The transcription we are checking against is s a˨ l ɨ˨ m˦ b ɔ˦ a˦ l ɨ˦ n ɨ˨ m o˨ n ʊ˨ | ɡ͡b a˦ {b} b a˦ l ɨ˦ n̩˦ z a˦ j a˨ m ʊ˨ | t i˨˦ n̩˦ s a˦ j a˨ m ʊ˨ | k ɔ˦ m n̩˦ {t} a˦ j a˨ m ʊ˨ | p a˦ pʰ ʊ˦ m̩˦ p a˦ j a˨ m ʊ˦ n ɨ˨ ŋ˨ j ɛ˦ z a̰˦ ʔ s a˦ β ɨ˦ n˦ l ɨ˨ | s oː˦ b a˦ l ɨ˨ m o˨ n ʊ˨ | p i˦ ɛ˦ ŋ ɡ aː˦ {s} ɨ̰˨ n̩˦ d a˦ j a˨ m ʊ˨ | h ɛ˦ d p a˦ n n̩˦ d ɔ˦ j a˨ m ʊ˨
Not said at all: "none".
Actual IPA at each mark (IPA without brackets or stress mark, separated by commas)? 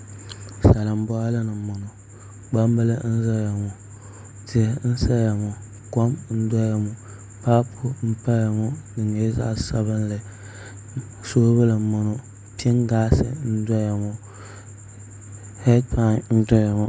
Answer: m, d, s